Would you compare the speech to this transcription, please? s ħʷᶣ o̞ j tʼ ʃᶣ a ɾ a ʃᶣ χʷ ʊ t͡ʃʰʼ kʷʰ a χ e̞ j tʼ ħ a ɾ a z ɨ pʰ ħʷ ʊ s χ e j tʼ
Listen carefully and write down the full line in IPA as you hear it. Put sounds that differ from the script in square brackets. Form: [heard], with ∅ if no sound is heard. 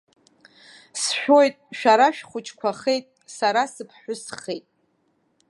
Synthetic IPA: s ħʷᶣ o̞ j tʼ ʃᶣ a ɾ a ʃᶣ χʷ ʊ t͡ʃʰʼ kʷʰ a χ e̞ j tʼ [s] a ɾ a [s] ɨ pʰ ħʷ ʊ s χ e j tʼ